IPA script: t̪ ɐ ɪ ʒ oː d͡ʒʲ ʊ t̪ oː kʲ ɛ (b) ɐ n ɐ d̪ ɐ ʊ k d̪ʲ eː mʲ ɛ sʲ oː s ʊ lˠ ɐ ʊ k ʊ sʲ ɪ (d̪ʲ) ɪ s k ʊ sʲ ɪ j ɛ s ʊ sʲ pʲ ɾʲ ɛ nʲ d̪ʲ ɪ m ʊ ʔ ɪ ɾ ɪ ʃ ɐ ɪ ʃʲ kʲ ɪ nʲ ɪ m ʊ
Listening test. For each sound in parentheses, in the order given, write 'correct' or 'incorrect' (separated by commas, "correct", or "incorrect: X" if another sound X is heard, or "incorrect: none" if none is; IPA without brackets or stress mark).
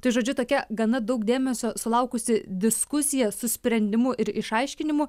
incorrect: ɡ, correct